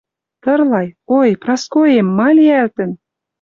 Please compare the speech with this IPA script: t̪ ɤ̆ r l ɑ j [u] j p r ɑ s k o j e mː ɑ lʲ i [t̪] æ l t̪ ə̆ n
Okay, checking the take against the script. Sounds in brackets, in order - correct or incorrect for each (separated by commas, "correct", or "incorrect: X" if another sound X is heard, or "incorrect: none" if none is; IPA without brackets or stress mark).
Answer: incorrect: o, incorrect: none